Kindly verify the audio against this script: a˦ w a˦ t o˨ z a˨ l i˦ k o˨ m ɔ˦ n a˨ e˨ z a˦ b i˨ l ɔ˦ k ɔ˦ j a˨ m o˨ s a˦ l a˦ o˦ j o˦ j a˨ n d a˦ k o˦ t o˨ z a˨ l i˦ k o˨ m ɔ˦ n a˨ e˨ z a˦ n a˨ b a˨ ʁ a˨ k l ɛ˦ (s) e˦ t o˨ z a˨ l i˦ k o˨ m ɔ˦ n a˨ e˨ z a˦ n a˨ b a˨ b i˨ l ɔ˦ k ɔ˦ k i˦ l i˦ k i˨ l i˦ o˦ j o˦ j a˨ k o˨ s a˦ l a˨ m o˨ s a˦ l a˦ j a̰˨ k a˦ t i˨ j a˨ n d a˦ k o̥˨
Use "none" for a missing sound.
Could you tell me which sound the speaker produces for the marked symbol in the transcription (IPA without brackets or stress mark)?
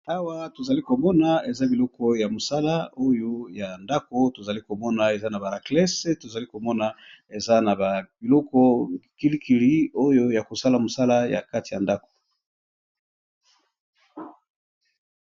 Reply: s